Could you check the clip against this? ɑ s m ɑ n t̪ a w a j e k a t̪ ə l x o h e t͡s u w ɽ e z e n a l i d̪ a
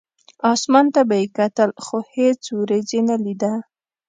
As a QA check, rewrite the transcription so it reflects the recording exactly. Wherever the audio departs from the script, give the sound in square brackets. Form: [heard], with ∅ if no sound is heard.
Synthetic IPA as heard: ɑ s m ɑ n t̪ a [b] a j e k a t̪ ə l x o h e t͡s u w [ɾ] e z e n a l i d̪ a